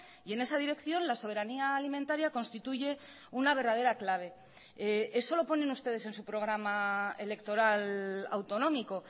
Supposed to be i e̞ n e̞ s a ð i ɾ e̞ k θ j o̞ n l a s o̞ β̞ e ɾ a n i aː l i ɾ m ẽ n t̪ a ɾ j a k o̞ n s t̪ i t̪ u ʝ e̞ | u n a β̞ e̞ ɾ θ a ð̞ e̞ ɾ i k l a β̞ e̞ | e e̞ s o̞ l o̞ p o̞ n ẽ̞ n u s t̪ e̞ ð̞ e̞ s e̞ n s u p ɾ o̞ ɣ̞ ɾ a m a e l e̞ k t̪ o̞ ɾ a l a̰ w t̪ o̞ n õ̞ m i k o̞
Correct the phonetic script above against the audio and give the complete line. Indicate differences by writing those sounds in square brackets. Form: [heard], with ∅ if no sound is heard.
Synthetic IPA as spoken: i e̞ n e̞ s a ð i ɾ e̞ k θ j o̞ n l a s o̞ β̞ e ɾ a n i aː l i [∅] m ẽ n t̪ a ɾ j a k o̞ n s t̪ i t̪ u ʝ e̞ | u n a β̞ e̞ ɾ [ð] a ð̞ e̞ ɾ [a] k l a β̞ e̞ | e e̞ s o̞ l o̞ p o̞ n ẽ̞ n u s t̪ e̞ ð̞ e̞ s e̞ n s u p ɾ o̞ ɣ̞ ɾ a m a e l e̞ k t̪ o̞ ɾ a l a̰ w t̪ o̞ n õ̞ m i k o̞